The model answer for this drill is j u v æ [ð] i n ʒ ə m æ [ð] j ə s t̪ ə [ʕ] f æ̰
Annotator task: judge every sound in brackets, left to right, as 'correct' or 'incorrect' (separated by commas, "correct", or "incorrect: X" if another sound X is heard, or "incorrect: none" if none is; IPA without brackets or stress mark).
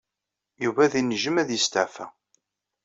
correct, correct, correct